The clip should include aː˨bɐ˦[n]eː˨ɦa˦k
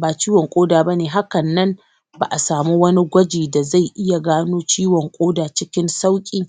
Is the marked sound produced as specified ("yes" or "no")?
yes